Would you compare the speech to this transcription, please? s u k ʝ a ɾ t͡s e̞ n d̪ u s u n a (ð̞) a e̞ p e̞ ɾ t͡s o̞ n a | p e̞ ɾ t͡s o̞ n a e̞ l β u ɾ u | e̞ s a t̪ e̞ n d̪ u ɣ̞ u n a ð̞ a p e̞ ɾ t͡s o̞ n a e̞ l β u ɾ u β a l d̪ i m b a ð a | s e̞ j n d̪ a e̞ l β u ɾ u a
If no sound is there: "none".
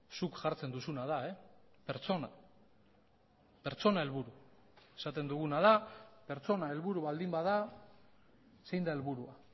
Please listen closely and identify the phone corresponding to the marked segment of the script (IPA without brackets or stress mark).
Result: ð̞